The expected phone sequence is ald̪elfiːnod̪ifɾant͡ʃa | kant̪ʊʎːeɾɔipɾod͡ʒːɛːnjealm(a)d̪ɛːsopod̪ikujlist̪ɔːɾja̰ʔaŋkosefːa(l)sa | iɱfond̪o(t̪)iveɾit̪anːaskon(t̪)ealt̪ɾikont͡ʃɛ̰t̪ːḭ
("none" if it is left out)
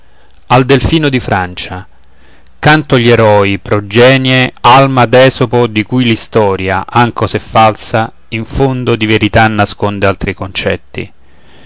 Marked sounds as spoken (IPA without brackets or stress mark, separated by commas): a, l, d̪, d̪